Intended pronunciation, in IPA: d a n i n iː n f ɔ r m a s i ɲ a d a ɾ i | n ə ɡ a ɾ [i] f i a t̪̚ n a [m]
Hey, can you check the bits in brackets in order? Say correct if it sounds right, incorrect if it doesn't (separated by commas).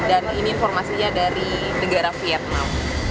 incorrect, correct